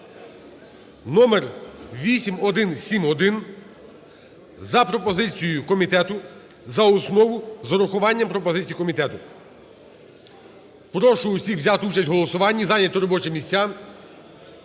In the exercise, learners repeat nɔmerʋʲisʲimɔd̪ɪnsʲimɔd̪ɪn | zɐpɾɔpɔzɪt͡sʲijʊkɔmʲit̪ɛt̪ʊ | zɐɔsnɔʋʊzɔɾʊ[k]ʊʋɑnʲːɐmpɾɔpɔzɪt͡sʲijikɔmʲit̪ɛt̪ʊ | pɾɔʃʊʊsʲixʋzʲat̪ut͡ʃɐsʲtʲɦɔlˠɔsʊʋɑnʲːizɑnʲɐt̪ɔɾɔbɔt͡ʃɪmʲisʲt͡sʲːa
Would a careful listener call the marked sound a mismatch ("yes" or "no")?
yes